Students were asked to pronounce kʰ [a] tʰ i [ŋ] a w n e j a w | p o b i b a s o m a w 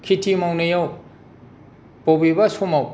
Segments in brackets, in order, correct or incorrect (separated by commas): incorrect, incorrect